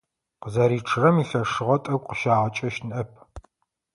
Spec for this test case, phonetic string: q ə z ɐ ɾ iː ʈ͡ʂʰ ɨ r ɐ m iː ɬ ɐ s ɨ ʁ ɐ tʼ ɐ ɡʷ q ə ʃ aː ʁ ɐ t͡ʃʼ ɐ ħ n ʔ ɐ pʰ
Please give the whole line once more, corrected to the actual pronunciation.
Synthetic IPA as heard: q ə z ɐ ɾ iː ʈ͡ʂʰ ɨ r ɐ m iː ɬ ɐ ʂ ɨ ʁ ɐ tʼ ɐ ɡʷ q ə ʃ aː ʁ ɐ t͡ʃʼ ɐ ʃ n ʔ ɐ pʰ